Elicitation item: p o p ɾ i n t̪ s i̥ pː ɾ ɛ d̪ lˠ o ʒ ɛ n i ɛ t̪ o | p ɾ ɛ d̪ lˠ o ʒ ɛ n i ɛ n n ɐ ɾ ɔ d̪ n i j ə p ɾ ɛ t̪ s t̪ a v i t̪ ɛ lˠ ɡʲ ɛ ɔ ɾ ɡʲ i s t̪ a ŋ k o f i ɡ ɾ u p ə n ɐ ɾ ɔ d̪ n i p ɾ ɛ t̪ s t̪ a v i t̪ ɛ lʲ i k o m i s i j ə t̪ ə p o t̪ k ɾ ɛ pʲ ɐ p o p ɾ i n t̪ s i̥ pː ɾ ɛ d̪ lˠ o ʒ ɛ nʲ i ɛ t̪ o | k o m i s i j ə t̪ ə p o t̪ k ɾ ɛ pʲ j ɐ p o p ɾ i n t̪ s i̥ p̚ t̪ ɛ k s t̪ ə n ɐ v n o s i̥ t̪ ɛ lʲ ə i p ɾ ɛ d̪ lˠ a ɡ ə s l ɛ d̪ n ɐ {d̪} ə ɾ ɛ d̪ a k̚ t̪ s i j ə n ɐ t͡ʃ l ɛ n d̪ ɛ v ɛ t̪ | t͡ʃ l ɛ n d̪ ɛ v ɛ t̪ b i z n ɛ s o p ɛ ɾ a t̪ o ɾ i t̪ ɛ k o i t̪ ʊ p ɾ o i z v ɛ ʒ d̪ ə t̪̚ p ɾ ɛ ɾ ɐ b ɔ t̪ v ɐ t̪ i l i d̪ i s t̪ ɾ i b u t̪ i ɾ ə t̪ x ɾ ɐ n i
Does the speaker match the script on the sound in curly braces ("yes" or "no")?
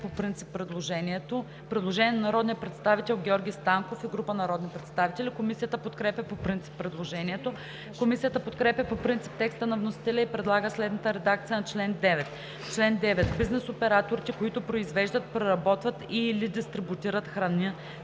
no